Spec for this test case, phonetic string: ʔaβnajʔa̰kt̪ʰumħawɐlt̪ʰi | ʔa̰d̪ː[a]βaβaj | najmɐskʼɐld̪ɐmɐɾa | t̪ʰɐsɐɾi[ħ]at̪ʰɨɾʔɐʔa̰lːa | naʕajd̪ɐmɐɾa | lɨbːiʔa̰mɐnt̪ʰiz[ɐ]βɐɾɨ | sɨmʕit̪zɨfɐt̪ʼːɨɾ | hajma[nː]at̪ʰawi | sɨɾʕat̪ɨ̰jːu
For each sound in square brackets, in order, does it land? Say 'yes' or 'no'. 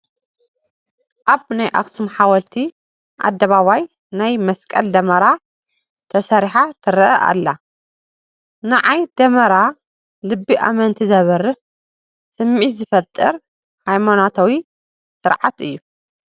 no, yes, yes, no

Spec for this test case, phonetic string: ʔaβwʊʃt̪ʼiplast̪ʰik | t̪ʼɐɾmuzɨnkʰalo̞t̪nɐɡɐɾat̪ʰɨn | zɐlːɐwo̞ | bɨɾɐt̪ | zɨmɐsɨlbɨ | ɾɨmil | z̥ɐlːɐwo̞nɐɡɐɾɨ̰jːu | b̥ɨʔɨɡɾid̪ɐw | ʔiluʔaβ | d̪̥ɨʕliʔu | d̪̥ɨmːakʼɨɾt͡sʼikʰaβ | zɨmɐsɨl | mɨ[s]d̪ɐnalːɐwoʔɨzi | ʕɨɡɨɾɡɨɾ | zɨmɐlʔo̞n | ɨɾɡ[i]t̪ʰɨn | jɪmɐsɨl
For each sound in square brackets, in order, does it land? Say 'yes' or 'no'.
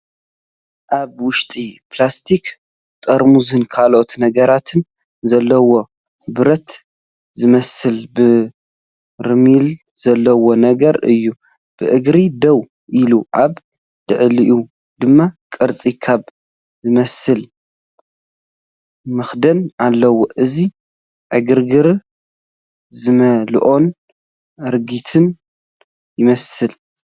no, yes

